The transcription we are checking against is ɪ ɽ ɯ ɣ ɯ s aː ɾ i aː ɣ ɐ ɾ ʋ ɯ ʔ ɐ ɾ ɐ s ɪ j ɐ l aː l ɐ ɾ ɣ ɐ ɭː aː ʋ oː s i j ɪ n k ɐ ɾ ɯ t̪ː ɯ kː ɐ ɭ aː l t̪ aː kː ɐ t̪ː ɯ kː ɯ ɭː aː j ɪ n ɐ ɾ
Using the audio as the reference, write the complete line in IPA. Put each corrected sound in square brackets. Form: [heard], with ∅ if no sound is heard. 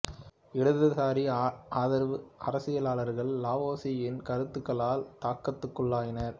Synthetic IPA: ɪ ɽ ɯ [ð] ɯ s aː ɾ i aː [ð] ɐ ɾ ʋ ɯ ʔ ɐ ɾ ɐ s ɪ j ɐ l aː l ɐ ɾ ɣ ɐ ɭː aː ʋ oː s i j ɪ n k ɐ ɾ ɯ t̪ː ɯ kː ɐ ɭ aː l t̪ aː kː ɐ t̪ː ɯ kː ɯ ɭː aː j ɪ n ɐ ɾ